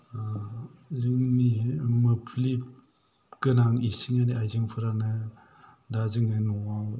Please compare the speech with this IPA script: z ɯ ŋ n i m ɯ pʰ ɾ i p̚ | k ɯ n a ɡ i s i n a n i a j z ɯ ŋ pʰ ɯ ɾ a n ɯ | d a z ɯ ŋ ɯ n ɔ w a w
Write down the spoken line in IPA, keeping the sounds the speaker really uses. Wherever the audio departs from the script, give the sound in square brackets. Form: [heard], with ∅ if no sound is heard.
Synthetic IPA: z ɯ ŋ n i m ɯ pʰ [l] i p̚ | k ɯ n a [ŋ] i s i [ŋ] a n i a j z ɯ ŋ pʰ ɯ ɾ a n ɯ | d a z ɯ ŋ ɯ n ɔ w a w